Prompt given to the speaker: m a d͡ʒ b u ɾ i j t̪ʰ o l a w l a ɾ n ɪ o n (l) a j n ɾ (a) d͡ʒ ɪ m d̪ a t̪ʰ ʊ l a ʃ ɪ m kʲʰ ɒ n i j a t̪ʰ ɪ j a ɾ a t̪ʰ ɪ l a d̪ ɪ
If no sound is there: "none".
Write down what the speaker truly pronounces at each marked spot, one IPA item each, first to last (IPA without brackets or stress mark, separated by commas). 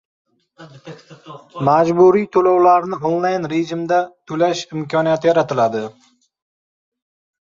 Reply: l, e